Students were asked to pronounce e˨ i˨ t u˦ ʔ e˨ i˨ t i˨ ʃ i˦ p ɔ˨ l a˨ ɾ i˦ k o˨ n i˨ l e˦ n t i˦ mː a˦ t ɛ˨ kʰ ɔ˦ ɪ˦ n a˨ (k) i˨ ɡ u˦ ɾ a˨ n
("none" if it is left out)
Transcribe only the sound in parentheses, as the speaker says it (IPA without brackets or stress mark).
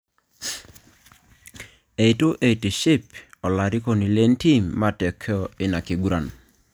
k